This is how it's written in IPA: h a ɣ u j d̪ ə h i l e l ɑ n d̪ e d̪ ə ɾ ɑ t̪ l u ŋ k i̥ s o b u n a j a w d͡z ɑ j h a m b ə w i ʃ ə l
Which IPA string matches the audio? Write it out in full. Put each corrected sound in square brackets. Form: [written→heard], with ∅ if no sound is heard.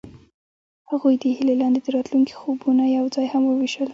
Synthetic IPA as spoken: h a ɣ u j d̪ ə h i l e l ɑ n d̪ e d̪ ə ɾ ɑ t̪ l u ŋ k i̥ [s→x] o b u n a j a w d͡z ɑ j h a m [b→w] ə w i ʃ ə l